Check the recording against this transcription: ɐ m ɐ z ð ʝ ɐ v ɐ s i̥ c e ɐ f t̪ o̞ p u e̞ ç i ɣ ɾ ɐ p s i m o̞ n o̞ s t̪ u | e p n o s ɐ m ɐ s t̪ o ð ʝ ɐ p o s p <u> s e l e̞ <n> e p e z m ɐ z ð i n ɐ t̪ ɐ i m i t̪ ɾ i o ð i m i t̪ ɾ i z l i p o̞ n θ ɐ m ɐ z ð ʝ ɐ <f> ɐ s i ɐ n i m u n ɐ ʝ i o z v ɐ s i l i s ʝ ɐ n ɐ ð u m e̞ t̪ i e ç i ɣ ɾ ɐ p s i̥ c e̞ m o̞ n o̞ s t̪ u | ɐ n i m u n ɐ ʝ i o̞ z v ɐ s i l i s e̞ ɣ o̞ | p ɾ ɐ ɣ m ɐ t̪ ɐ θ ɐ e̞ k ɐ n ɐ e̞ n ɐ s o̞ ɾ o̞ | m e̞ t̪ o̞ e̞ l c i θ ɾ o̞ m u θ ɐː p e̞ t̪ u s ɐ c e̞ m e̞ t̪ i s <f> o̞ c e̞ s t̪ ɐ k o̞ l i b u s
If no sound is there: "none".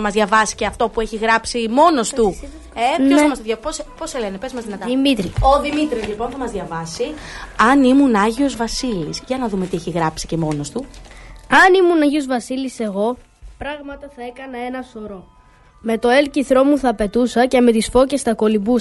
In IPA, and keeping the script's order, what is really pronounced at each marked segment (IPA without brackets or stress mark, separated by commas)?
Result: o, n, v, f